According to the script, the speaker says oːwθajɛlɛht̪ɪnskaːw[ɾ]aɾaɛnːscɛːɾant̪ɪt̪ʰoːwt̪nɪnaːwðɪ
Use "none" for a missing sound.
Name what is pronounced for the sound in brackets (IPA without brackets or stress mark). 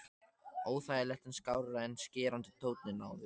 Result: ɾ